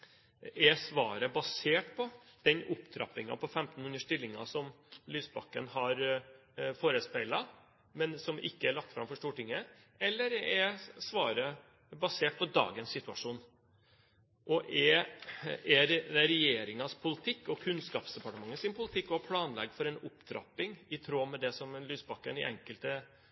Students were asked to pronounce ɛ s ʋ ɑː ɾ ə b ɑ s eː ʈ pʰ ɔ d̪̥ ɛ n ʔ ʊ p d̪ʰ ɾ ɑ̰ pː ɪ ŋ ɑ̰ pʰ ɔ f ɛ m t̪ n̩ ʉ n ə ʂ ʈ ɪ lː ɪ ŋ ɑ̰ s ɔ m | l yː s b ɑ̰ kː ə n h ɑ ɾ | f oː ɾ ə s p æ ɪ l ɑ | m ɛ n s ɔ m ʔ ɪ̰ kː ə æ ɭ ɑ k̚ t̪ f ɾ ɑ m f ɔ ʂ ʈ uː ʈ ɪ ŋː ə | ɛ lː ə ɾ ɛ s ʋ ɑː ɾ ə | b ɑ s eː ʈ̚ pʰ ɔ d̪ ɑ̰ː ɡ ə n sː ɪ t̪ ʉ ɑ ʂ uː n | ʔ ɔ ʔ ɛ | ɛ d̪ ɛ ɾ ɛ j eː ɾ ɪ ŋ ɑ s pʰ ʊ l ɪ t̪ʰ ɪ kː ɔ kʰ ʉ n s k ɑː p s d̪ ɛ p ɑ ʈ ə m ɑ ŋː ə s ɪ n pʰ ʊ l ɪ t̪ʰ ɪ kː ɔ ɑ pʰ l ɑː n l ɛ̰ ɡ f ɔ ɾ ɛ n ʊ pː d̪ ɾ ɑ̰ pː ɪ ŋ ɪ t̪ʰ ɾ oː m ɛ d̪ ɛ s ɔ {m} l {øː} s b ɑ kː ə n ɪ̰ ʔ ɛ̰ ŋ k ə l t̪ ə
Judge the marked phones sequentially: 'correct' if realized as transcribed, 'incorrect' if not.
correct, incorrect: yː

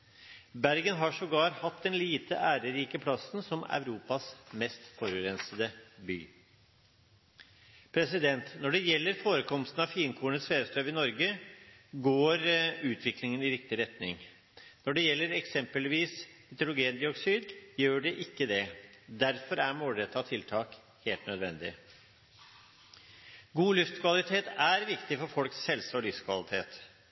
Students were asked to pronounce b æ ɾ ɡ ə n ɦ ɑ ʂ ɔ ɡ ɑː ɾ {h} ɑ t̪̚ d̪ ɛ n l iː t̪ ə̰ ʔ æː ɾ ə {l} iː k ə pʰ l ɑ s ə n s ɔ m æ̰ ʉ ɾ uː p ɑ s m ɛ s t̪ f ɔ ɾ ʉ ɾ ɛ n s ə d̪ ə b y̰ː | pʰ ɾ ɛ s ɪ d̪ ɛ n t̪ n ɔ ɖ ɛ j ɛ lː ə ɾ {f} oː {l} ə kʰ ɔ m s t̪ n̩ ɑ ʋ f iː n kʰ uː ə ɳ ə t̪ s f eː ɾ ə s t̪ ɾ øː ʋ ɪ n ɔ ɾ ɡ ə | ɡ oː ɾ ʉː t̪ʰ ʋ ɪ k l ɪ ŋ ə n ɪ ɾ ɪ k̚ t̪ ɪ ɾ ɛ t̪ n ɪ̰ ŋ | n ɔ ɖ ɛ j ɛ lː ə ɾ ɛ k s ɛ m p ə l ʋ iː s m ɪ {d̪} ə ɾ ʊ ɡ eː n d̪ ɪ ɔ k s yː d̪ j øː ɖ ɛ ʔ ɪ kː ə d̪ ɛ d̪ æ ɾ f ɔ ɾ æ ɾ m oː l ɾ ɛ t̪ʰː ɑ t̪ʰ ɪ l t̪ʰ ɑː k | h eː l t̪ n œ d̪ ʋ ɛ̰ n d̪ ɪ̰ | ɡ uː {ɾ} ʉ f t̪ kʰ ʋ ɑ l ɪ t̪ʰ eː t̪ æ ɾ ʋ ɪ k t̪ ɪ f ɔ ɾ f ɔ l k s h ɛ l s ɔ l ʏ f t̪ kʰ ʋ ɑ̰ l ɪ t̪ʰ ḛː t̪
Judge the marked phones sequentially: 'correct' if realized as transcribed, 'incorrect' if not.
correct, incorrect: ɾ, correct, incorrect: ɾ, incorrect: t̪, incorrect: l

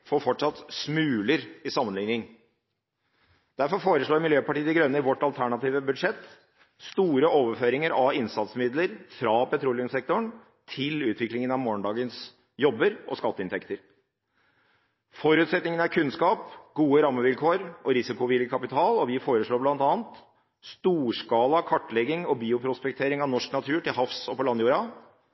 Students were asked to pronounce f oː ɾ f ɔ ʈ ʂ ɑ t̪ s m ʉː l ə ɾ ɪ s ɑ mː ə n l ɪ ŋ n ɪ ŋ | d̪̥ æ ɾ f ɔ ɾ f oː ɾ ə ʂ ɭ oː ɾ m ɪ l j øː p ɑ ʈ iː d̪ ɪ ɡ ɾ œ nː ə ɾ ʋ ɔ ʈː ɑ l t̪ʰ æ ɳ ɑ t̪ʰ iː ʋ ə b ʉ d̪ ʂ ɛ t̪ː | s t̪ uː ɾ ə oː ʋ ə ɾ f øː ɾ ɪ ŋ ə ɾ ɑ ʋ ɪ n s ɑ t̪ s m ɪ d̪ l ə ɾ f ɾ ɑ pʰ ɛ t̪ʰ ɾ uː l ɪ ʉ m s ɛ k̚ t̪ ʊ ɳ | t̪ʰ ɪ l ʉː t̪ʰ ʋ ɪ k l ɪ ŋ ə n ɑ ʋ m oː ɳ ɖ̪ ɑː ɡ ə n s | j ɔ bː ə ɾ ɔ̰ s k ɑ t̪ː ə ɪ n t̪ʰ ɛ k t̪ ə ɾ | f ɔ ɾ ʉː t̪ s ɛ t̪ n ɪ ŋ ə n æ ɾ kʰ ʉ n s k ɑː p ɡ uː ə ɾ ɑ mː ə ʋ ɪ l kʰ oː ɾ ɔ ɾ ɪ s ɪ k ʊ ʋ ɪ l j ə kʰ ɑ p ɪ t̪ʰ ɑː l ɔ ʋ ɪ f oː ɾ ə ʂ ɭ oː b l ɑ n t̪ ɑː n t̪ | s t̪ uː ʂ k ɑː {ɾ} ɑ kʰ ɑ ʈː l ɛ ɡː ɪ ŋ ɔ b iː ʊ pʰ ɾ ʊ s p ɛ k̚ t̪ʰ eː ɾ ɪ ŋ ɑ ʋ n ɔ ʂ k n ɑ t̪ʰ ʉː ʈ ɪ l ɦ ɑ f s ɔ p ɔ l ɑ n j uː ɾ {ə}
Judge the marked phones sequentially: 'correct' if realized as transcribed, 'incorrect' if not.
incorrect: l, incorrect: ɑ

